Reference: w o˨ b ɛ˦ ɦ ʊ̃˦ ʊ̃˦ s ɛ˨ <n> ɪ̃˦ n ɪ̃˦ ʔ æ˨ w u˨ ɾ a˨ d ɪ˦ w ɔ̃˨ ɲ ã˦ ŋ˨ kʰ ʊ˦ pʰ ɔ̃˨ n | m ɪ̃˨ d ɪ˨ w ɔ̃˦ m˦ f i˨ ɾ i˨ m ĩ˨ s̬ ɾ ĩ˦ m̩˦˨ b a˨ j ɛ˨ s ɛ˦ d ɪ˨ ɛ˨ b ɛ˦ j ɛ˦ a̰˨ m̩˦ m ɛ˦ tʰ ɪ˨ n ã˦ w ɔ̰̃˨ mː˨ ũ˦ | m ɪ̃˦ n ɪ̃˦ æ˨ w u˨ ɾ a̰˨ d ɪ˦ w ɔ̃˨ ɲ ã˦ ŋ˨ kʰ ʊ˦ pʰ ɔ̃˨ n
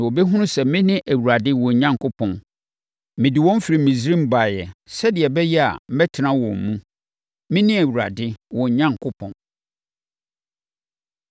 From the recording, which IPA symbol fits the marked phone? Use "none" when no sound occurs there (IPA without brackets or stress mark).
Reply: m